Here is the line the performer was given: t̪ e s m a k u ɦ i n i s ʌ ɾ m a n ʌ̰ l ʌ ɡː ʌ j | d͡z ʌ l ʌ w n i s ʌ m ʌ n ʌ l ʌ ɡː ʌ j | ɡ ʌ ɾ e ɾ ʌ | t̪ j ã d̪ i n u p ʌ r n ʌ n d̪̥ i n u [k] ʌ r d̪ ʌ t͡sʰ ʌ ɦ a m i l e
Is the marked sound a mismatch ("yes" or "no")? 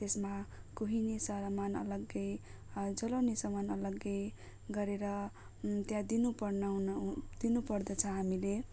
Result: yes